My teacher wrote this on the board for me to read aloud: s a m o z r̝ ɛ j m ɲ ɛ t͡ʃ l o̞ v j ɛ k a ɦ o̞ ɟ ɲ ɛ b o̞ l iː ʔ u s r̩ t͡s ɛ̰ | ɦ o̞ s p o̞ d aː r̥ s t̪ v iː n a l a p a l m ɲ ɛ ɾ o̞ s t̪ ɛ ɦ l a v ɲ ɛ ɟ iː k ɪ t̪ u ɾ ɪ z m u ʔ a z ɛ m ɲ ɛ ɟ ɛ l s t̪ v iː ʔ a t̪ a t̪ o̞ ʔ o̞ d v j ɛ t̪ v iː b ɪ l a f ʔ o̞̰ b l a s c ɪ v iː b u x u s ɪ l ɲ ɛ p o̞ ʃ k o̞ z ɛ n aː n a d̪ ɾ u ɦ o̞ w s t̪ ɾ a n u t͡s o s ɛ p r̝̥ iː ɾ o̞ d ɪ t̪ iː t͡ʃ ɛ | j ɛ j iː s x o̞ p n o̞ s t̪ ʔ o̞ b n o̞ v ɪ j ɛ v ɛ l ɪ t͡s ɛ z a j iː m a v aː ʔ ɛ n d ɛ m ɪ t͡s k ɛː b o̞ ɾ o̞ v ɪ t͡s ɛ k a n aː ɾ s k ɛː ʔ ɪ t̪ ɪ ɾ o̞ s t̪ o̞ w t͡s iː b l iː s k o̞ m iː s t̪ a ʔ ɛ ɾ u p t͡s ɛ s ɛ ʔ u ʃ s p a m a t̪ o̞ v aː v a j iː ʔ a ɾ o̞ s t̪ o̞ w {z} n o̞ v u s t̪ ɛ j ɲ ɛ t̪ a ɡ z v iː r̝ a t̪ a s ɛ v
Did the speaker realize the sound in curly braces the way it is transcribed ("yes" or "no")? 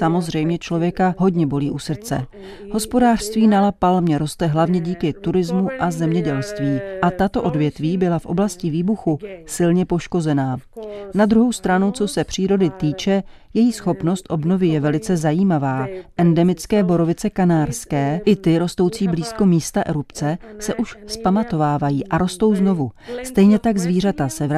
yes